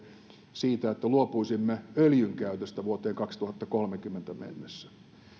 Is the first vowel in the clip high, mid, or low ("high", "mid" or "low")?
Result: high